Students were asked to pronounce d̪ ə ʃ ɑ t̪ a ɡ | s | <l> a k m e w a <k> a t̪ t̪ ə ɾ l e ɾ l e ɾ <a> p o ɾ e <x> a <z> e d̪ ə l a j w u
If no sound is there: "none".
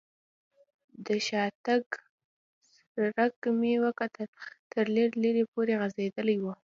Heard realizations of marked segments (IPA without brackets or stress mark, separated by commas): ɾ, k, e, ɣ, z